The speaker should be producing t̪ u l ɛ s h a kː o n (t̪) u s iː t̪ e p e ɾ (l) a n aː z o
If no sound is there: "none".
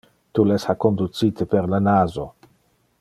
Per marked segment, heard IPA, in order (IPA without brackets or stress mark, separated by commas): d̪, l